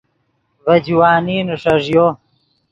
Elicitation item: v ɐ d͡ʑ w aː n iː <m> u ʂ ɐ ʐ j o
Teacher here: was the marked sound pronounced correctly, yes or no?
no